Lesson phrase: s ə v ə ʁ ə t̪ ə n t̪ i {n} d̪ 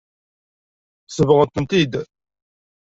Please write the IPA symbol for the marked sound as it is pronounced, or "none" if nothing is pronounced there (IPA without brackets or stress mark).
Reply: none